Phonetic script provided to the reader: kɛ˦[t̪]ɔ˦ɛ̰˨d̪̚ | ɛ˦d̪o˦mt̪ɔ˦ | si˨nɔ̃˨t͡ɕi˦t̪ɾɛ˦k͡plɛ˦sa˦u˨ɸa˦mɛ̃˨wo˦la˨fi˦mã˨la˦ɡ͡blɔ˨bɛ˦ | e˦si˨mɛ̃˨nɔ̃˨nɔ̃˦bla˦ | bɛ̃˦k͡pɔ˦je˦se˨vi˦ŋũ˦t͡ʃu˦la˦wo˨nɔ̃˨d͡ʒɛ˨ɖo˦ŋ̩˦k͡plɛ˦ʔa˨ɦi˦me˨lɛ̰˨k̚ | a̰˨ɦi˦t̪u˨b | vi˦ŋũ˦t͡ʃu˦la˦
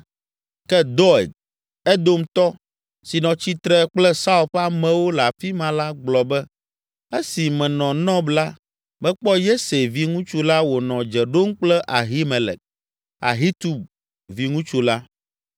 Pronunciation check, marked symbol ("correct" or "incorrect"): incorrect